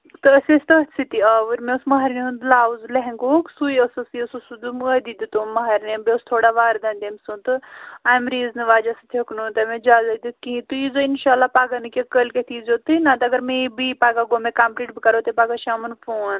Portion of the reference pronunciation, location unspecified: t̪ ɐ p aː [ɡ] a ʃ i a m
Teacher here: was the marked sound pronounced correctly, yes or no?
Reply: yes